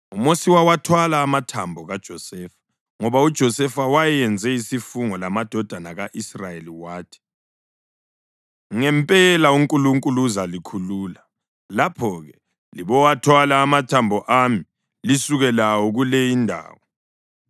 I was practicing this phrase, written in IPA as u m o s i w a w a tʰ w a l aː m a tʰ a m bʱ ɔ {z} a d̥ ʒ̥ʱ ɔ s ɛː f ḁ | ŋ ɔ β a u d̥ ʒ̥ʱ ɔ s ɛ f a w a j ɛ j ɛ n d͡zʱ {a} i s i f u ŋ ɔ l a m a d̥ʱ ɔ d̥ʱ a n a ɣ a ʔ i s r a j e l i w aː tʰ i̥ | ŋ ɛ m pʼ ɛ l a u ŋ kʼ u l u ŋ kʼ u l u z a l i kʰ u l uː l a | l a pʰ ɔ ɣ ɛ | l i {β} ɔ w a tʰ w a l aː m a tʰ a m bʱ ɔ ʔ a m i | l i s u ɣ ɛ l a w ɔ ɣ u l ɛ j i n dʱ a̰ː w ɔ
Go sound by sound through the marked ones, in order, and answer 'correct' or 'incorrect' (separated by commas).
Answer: incorrect, incorrect, correct